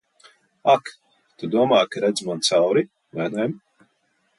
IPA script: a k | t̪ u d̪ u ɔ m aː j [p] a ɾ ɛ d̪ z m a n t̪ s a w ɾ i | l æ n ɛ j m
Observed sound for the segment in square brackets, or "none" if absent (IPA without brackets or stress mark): k